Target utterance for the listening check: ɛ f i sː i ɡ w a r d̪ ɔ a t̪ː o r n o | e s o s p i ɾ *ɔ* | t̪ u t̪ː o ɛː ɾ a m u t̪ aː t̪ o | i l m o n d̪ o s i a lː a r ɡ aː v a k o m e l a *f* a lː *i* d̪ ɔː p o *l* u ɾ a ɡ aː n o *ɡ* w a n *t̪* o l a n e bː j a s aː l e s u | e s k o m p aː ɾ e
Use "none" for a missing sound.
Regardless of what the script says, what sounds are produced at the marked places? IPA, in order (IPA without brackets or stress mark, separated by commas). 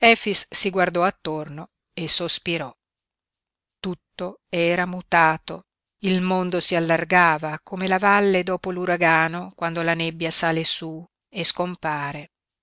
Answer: ɔ, v, e, l, k, d̪